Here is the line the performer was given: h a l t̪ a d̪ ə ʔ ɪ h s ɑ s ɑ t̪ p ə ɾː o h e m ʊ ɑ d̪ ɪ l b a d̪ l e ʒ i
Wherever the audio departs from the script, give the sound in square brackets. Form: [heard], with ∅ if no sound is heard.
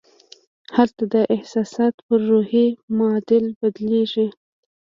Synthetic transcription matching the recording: h a l t̪ a d̪ ə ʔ ɪ h s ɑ s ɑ t̪ p ə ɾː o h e m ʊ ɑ d̪ ɪ l b a d̪ l e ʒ i